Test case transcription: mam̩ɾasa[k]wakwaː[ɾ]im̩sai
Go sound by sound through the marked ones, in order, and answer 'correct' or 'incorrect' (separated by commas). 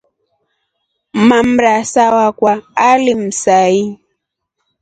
incorrect, incorrect